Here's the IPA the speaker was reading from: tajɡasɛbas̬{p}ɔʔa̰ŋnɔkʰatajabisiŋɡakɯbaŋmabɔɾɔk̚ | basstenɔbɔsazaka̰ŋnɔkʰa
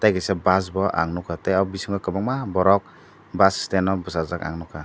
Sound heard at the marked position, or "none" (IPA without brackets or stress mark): b